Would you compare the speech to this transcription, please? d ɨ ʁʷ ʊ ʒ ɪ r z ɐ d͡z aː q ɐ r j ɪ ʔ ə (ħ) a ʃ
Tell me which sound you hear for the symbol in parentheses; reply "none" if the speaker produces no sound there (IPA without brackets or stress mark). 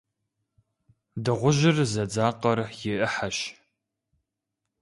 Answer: ħ